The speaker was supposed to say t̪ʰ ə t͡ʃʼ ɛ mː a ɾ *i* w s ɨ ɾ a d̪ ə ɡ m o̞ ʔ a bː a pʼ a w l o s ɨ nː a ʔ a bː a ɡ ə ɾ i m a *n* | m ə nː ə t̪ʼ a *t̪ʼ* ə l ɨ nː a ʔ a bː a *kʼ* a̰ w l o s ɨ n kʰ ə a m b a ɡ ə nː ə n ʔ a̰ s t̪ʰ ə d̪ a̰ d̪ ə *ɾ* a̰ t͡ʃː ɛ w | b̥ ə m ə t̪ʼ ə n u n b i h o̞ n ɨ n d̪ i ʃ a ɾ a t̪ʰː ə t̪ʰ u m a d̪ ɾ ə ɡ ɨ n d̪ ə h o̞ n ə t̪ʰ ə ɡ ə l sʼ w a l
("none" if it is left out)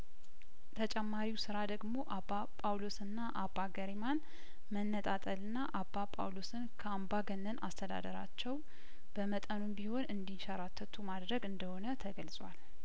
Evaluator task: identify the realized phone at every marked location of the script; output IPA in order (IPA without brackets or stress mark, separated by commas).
i, n, t̪ʼ, pʼ, ɾ